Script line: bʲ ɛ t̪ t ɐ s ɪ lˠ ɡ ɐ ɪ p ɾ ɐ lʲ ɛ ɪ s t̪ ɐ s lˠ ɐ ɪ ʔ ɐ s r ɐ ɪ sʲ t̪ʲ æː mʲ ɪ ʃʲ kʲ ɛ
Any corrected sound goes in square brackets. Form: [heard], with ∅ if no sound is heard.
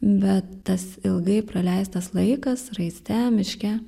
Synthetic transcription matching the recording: bʲ ɛ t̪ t ɐ s ɪ lˠ ɡ ɐ ɪ p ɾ ɐ lʲ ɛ ɪ s t̪ ɐ s lˠ ɐ ɪ [k] ɐ s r ɐ ɪ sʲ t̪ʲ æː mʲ ɪ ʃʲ kʲ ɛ